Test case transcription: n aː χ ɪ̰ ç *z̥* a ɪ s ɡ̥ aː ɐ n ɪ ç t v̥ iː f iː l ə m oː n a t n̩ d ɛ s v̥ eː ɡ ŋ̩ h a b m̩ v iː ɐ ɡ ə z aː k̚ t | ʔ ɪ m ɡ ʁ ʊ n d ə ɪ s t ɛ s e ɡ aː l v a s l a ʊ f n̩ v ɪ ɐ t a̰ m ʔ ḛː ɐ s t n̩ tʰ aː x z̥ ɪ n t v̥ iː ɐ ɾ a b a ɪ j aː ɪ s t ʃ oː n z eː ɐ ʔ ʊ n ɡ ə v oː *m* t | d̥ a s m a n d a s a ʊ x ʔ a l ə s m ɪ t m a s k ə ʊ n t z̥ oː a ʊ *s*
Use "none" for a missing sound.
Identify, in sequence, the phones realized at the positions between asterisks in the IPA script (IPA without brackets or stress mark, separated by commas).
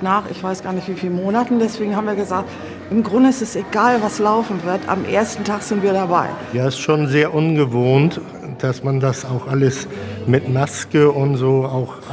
v̥, n, x